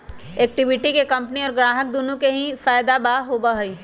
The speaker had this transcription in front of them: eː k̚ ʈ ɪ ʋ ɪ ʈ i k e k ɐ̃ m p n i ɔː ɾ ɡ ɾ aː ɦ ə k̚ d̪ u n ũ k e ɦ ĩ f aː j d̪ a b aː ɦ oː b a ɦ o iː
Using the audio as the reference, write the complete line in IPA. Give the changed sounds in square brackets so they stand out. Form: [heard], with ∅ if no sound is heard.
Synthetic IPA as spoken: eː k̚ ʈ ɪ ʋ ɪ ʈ i k e k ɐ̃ m p n i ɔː ɾ ɡ ɾ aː ɦ ə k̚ d̪ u n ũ k e ɦ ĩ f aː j d̪ a b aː ɦ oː b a ɦ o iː